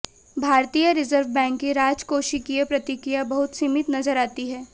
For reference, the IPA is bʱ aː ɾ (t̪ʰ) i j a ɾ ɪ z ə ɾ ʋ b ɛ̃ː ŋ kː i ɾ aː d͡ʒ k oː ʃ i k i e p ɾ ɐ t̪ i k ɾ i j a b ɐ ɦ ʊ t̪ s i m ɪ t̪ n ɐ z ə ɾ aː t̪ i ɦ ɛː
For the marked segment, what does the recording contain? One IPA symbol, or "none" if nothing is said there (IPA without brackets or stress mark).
t̪